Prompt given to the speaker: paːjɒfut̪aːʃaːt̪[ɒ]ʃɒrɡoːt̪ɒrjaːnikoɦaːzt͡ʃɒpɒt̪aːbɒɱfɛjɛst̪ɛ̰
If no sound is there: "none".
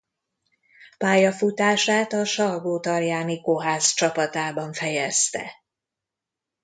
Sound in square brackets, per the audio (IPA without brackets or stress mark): ɒ